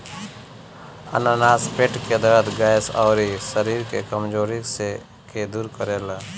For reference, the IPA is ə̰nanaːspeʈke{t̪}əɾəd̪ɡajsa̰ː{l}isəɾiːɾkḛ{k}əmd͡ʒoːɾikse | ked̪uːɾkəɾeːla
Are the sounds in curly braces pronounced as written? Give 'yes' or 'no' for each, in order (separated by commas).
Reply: no, no, yes